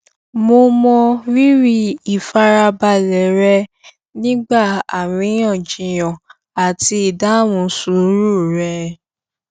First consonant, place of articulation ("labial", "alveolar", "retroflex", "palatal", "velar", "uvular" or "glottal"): labial